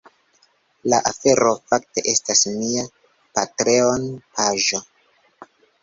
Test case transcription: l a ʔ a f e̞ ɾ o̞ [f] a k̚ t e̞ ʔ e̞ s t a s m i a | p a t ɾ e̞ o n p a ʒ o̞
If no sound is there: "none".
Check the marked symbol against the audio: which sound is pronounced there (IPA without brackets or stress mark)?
f